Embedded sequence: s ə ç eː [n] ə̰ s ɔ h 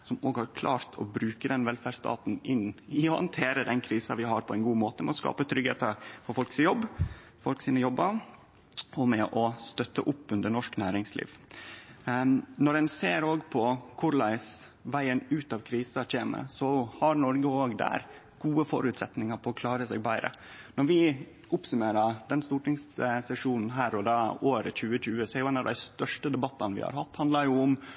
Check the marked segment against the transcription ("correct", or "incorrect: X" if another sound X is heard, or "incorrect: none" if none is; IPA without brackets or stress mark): incorrect: m